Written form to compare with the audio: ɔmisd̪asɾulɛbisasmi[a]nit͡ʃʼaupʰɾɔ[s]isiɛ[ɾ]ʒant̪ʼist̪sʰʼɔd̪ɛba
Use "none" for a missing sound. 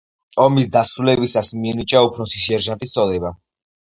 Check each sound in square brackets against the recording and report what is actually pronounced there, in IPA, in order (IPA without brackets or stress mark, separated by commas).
ɛ, s, ɾ